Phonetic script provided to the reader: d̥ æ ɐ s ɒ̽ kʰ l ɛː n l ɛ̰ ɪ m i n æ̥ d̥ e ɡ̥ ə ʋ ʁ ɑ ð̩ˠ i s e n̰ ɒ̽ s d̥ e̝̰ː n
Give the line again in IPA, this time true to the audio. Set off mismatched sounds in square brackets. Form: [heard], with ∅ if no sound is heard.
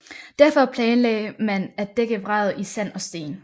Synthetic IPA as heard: d̥ æ ɐ [f] ɒ̽ [pʰ] l ɛː n l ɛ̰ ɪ m [æ] n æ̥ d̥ e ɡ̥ ə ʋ ʁ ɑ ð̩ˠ i s [æ] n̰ ɒ̽ s d̥ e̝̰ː n